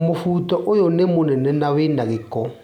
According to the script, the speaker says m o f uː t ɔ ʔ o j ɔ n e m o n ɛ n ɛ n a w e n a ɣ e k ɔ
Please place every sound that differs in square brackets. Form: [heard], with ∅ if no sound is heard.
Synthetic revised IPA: m o f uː t ɔ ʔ o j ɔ n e m o n ɛ n ɛ n a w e n a ɣ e k ɔ